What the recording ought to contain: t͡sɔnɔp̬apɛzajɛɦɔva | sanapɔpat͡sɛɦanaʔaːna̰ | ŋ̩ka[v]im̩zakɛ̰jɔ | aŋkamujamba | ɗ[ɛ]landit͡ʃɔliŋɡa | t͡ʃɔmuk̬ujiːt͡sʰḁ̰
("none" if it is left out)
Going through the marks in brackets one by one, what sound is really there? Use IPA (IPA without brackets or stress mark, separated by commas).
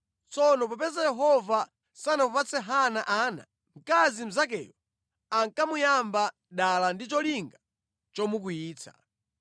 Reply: z, a